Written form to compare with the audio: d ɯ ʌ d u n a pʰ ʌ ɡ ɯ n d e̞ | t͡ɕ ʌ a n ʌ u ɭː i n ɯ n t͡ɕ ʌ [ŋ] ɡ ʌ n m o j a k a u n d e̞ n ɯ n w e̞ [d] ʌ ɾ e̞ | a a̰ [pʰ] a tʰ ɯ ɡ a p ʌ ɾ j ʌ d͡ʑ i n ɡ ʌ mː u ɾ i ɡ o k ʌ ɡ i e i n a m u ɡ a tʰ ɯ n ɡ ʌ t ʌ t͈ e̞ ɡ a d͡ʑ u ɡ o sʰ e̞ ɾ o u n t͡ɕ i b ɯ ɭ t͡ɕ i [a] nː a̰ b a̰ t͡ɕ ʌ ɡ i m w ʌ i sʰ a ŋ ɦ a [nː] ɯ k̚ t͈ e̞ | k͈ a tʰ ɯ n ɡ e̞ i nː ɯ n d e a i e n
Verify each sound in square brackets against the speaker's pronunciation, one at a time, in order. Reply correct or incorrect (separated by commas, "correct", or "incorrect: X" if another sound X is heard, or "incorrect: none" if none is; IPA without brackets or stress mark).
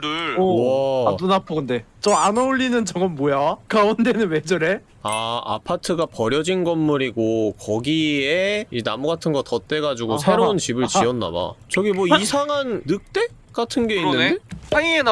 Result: correct, incorrect: d͡ʑ, correct, incorrect: ʌ, correct